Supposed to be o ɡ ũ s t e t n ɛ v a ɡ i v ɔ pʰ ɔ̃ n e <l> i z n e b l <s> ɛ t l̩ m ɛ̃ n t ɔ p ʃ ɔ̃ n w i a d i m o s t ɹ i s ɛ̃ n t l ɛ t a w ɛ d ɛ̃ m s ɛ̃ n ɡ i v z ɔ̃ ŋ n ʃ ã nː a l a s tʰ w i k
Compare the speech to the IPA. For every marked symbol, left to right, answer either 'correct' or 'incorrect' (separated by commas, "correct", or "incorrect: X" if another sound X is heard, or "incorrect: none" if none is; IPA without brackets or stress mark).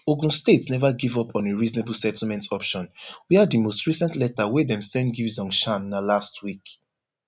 incorrect: ɹ, correct